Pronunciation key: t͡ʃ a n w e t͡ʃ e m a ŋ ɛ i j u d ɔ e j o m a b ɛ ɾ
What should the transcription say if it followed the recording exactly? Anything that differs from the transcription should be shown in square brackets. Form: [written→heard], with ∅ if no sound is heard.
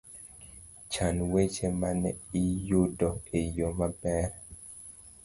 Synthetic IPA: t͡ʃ a n w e t͡ʃ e m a [ŋ→n] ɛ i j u d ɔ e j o m a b ɛ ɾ

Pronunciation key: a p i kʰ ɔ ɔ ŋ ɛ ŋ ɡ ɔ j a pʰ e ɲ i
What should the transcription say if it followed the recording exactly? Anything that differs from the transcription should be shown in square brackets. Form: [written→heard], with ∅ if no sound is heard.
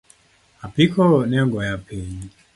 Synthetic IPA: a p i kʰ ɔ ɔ [ŋ→n] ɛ ŋ ɡ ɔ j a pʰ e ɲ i

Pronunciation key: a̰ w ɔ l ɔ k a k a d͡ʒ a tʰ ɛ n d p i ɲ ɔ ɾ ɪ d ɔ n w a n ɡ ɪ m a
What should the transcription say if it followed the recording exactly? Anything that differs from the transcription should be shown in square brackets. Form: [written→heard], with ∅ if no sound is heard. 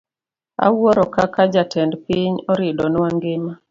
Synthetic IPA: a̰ w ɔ [l→ɾ] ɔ k a k a d͡ʒ a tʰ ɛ n d p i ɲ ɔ ɾ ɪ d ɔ n w a [n→ŋ] ɡ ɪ m a

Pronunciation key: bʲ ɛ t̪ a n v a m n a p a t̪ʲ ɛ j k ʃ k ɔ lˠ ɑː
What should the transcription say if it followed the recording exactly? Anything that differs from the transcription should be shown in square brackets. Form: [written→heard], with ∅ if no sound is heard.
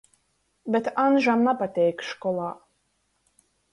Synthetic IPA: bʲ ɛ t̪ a n [v→ʒ] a m n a p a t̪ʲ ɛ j k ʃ k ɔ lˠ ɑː

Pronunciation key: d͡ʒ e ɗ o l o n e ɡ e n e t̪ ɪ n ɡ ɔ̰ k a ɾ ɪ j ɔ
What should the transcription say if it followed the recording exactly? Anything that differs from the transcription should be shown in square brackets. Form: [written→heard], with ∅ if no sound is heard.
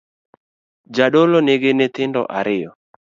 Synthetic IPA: d͡ʒ [e→a] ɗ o l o n e ɡ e n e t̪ ɪ n [ɡ→d] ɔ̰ [k→ʔ] a ɾ ɪ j ɔ

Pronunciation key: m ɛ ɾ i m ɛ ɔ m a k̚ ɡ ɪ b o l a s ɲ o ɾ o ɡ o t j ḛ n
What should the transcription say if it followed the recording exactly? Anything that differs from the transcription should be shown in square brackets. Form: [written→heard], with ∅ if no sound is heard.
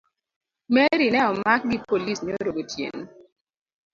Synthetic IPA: m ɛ ɾ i [m→n] ɛ ɔ m a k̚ ɡ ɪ [b→p] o l [a→i] s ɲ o ɾ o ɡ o t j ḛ n

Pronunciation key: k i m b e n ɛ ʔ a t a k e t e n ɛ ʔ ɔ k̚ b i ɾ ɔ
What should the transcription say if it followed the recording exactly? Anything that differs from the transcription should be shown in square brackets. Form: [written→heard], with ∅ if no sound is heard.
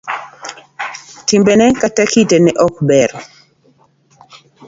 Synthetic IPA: [k→t] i m b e n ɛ [ʔ→k] a t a k [e→i] t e n ɛ ʔ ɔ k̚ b [i→ɛ] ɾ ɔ

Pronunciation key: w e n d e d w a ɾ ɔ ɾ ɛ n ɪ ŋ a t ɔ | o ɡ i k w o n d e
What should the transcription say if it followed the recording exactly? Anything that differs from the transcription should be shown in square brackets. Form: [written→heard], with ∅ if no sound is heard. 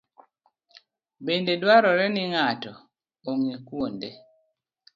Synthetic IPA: [w→b] e n d e d w a ɾ ɔ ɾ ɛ n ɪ ŋ a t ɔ | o [ɡ→ŋ] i k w o n d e

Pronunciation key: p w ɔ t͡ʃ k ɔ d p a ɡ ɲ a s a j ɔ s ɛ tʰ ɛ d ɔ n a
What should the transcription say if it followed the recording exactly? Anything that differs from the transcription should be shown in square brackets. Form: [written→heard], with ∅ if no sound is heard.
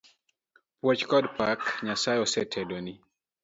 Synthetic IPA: p w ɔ t͡ʃ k ɔ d p a [ɡ→k] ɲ a s a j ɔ s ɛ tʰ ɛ d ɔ n [a→i]

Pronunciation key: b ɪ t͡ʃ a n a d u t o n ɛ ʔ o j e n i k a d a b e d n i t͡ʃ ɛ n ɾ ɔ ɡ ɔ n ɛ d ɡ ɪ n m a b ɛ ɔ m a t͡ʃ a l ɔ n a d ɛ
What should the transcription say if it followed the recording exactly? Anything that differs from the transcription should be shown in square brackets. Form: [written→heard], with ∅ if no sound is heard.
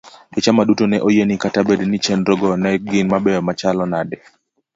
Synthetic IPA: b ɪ t͡ʃ a [n→m] a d u t o n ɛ ʔ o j e n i k a [d→t] a b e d n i t͡ʃ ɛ n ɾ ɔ ɡ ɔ n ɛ [d→∅] ɡ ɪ n m a b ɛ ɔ m a t͡ʃ a l ɔ n a d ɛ

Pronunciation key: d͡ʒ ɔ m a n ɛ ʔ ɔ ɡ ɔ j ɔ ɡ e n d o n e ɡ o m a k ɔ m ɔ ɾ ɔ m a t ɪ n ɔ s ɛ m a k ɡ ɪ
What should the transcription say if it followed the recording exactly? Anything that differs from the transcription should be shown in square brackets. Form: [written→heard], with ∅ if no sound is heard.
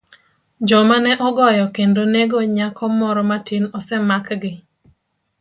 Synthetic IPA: d͡ʒ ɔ m a n ɛ ʔ ɔ ɡ ɔ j ɔ [ɡ→k] e n d o n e ɡ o [m→ɲ] a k ɔ m ɔ ɾ ɔ m a t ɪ n ɔ s ɛ m a k ɡ ɪ

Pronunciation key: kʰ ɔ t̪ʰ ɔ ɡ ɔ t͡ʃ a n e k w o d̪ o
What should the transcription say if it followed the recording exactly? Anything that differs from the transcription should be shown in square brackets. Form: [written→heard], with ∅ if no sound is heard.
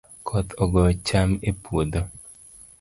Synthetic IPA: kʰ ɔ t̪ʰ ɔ ɡ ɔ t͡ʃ a [n→m] e [k→p] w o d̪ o

